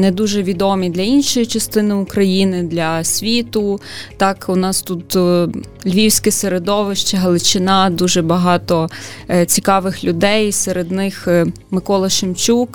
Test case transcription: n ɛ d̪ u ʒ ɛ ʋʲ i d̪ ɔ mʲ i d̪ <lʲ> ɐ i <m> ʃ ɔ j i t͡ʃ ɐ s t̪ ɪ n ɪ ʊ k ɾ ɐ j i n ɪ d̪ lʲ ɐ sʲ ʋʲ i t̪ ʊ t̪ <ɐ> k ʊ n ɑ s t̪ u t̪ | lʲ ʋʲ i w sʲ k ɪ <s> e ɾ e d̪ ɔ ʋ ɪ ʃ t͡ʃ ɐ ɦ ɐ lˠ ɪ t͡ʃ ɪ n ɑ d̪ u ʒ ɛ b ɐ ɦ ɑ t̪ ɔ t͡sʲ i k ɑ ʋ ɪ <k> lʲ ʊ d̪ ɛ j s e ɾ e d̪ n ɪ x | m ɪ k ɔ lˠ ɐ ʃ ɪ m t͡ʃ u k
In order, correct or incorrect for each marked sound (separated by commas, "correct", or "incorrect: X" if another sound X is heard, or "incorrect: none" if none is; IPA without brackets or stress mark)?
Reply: correct, incorrect: n, incorrect: ɑ, correct, incorrect: x